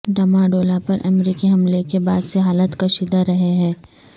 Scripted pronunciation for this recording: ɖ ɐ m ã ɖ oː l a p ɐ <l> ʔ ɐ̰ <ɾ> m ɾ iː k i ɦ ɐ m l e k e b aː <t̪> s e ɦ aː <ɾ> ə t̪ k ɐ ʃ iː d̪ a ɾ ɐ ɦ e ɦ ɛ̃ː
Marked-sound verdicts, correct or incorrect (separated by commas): incorrect, incorrect, incorrect, incorrect